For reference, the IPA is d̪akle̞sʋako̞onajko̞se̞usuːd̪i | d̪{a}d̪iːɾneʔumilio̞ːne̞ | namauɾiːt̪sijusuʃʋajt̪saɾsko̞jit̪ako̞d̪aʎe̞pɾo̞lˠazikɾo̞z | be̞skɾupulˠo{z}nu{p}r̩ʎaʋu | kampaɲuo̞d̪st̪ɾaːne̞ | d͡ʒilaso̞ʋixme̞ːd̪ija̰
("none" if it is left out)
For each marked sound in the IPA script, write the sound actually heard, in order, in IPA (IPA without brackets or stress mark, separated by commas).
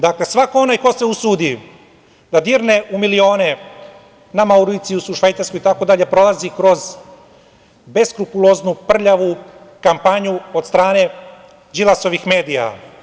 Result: a, z, p